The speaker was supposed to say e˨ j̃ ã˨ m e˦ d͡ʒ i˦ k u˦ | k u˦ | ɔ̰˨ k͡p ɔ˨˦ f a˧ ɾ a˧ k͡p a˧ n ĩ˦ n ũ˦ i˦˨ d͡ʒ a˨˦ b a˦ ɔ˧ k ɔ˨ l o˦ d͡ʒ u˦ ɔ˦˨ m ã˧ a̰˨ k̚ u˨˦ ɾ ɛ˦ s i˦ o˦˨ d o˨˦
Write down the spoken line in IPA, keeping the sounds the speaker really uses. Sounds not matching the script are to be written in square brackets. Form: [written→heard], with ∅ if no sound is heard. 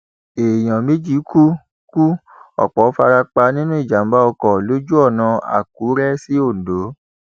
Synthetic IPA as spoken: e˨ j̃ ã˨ m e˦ d͡ʒ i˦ k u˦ | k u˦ | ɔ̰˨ k͡p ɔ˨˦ f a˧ ɾ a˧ k͡p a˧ n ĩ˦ n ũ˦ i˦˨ d͡ʒ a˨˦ b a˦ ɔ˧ k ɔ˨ l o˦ d͡ʒ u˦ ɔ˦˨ [m→n] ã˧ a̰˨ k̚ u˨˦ ɾ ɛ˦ s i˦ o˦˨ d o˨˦